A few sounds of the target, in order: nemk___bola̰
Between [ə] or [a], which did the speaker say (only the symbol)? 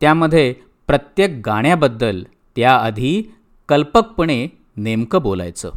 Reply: ə